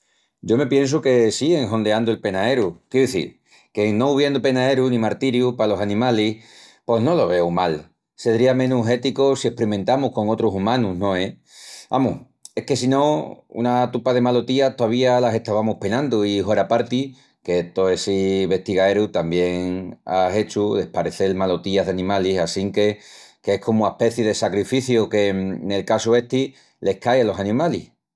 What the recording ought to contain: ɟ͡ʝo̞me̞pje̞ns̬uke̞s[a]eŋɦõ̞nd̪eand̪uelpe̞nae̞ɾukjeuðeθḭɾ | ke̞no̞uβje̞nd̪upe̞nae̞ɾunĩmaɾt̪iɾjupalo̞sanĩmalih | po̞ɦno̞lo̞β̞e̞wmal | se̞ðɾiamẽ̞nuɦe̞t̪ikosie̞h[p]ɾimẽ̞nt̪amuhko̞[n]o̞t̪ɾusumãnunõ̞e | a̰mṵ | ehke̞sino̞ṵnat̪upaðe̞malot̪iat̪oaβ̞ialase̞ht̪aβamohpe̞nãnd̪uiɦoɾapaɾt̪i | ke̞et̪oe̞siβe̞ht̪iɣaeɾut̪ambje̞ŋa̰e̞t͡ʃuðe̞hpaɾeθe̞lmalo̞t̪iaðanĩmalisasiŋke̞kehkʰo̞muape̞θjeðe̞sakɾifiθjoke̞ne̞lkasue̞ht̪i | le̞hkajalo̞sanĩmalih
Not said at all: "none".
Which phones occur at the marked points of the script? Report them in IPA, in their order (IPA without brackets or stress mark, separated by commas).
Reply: i, p, ŋ